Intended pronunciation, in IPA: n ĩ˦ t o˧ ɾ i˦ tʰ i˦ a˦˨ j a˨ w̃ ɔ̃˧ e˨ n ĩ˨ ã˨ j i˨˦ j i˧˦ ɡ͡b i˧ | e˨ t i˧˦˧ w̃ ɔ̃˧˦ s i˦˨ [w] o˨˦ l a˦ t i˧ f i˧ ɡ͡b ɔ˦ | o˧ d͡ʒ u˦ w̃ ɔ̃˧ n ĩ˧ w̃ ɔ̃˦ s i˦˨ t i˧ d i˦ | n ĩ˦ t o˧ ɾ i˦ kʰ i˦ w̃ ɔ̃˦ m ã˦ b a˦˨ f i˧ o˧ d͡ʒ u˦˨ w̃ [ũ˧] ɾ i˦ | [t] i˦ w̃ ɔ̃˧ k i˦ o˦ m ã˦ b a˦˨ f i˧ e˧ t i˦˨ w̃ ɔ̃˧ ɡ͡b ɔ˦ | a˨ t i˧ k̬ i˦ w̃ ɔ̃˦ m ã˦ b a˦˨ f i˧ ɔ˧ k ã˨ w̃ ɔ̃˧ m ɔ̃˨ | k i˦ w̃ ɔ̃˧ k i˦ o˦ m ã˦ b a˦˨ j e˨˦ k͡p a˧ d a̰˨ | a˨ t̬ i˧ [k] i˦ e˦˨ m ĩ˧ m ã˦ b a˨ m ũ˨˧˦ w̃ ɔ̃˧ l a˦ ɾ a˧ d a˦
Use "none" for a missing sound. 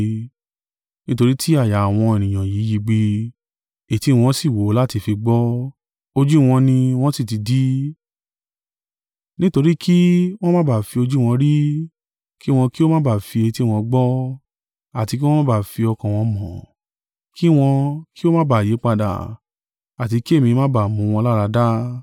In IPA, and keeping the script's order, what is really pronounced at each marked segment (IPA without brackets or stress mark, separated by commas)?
w, ɔ̃˧, k, k